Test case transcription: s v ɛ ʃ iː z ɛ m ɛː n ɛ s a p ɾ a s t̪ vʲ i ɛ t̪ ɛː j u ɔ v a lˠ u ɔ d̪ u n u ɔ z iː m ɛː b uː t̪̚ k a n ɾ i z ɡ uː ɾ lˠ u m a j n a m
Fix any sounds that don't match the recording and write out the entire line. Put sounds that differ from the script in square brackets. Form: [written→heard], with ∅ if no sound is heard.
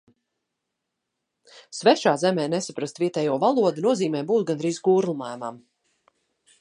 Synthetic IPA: s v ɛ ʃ [iː→aː] z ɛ m ɛː n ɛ s a p ɾ a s t̪ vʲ i ɛ t̪ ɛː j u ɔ v a lˠ u ɔ d̪ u n u ɔ z iː m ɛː b uː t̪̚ [k→ɡ] a n ɾ i z ɡ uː ɾ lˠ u m a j [n→m] a m

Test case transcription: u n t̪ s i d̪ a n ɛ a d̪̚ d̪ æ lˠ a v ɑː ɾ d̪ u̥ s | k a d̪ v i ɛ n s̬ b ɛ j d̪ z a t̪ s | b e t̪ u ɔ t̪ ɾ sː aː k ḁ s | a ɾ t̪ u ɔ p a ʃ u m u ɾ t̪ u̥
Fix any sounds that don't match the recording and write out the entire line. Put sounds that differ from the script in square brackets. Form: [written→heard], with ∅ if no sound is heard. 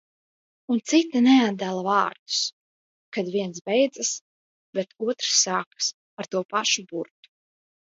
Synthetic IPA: u n t̪ s i [d̪→t̪] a n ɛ a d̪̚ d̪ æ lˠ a v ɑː ɾ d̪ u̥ s | k a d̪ v i ɛ n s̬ b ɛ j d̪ z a [t̪→∅] s | b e t̪ u ɔ t̪ ɾ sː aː k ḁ s | a ɾ t̪ u ɔ p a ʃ u [m→b] u ɾ t̪ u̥

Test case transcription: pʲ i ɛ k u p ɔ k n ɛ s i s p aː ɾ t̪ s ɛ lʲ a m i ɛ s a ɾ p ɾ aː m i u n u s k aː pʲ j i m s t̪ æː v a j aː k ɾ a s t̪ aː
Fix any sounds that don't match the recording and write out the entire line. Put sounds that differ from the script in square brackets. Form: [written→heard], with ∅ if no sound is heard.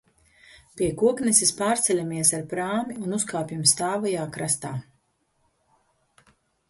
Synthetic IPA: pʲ i ɛ k u [p→∅] ɔ k n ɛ s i s p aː ɾ t̪ s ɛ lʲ a m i ɛ s a ɾ p ɾ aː m i u n u s k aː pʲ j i m s t̪ [æː→aː] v a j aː k ɾ a s t̪ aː

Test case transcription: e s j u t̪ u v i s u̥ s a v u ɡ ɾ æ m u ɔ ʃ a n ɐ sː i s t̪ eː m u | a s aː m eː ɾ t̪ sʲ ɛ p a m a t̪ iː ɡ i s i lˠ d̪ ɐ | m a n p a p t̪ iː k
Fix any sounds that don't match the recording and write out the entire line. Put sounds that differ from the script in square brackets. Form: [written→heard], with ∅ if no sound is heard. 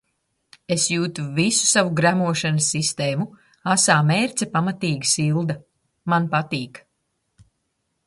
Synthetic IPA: e s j [u→uː] t̪ u v i s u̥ s a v u ɡ ɾ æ m u ɔ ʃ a n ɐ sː i s t̪ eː m u | a s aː m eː ɾ t̪ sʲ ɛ p a m a t̪ iː ɡ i s i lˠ d̪ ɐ | m a n p a [p→∅] t̪ iː k

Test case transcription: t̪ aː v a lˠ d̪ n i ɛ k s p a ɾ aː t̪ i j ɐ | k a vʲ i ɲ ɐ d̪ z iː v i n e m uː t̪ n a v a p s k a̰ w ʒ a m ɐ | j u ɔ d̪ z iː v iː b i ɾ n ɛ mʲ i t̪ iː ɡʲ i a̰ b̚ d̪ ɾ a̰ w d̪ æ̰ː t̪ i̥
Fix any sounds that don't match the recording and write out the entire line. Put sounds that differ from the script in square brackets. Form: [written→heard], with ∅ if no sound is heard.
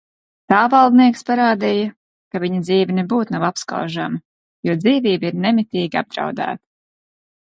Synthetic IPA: t̪ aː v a lˠ d̪ n i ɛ k s p a ɾ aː [t̪→d̪] i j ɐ | k a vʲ i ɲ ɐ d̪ z iː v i n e [m→b] uː t̪ n a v a p s k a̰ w ʒ a m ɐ | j u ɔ d̪ z iː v iː b i ɾ n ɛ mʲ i t̪ iː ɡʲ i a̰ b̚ d̪ ɾ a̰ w d̪ æ̰ː t̪ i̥

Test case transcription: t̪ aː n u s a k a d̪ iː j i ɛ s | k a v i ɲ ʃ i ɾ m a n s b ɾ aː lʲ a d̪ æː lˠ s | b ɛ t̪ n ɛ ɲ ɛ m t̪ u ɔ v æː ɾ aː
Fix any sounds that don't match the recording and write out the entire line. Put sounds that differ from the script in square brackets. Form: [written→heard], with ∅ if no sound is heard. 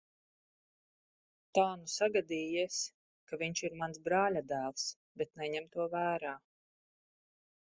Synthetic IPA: t̪ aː n u s a [k→ɡ] a d̪ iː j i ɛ s | k a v i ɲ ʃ i ɾ m a n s b ɾ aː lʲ a d̪ æː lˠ s | b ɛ t̪ n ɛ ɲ ɛ m t̪ u ɔ v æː ɾ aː

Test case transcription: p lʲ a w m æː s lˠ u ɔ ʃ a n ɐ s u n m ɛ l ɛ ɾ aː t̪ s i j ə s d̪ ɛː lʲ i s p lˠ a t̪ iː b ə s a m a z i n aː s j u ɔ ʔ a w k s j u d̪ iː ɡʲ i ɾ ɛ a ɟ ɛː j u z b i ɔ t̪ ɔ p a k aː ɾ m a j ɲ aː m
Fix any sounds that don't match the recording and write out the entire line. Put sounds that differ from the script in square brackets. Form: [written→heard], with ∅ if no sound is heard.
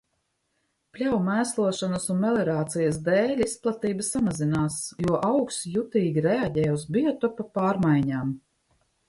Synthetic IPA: p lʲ a w m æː s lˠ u ɔ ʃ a n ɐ s u n m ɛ l ɛ ɾ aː t̪ s i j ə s d̪ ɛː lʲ i s p lˠ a t̪ iː b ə s a m a z i n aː s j u ɔ ʔ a w k s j u [d̪→t̪] iː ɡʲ i ɾ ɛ a ɟ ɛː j u z b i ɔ t̪ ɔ p a [k→p] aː ɾ m a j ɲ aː m

